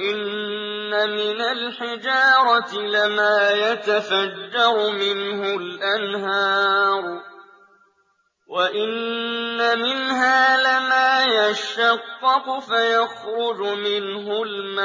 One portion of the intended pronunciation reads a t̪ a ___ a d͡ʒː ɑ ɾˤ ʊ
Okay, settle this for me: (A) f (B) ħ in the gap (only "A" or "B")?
A